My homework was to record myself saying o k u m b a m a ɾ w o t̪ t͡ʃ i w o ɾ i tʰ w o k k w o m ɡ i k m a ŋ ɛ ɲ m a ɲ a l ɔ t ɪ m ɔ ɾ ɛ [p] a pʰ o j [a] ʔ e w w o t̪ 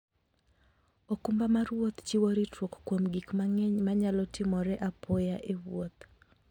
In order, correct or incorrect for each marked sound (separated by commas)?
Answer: incorrect, correct